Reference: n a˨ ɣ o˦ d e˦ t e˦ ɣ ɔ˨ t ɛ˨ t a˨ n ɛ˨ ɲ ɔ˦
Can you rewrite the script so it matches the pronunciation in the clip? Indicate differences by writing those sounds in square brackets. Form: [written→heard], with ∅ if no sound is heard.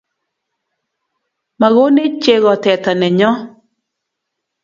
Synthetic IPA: [n→m] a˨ ɣ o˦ [d→n] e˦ [t→t͡ʃ] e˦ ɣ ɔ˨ t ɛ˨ t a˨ n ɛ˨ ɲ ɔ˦